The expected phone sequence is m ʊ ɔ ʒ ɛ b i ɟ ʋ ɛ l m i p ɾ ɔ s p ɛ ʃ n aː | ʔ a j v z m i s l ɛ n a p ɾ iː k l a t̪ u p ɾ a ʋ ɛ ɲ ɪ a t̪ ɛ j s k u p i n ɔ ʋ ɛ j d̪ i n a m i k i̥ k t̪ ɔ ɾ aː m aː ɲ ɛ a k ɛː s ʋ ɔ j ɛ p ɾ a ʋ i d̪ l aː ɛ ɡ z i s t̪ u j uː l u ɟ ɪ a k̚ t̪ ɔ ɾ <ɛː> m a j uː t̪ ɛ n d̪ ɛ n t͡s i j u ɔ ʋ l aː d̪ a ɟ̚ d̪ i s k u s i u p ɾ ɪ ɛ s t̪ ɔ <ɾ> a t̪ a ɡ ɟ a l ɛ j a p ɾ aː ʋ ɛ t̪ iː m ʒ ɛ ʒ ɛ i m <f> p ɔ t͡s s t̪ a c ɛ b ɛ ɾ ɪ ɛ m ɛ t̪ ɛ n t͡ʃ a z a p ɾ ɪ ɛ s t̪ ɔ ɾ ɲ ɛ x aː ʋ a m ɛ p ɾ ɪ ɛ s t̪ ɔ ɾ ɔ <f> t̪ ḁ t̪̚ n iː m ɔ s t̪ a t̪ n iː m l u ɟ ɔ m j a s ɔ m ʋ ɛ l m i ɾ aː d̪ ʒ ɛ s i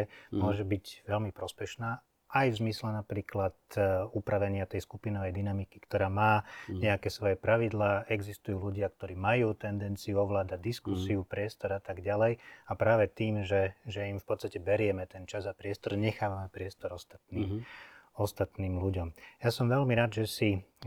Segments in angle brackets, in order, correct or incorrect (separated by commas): incorrect, correct, correct, incorrect